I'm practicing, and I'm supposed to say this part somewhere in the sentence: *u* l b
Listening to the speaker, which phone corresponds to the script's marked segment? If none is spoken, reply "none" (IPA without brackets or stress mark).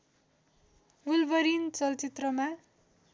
u